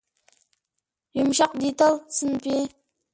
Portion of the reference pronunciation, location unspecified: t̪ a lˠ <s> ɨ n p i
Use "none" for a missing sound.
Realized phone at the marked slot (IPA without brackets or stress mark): s